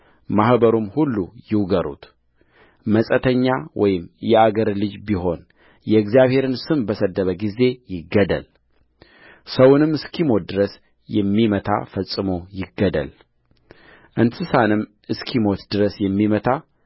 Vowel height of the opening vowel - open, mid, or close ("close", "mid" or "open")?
open